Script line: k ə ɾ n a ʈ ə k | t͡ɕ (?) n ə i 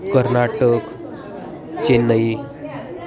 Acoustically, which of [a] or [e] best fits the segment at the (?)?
e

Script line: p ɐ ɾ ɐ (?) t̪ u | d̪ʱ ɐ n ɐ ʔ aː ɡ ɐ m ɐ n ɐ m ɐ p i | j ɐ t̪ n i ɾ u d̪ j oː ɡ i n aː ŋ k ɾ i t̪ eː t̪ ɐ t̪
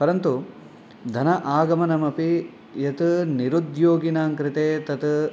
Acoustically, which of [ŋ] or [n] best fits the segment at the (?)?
n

